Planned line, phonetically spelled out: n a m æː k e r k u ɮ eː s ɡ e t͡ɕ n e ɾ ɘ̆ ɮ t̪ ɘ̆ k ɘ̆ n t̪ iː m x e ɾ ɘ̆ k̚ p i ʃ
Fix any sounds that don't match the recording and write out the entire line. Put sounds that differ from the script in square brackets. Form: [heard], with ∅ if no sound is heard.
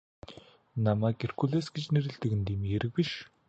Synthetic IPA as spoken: n a m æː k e r k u ɮ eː s ɡ e t͡ɕ n e ɾ ɘ̆ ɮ t̪ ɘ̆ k ɘ̆ n t̪ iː m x e ɾ ɘ̆ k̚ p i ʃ